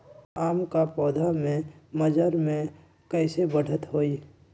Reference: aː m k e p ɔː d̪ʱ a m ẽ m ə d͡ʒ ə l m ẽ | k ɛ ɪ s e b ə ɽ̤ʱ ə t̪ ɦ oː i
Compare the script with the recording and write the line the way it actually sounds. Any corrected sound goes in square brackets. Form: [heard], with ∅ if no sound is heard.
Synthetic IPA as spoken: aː m k [a] p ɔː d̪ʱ a m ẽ m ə d͡ʒ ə [ɾ] m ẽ | k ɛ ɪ s e b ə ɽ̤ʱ ə t̪ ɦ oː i